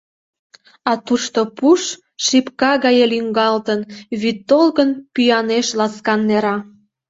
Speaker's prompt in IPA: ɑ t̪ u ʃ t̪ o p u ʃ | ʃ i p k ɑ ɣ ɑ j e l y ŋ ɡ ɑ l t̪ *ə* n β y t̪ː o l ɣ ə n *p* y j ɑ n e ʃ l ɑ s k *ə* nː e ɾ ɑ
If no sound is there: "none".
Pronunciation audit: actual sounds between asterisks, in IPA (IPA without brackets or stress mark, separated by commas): ə, p, ɑ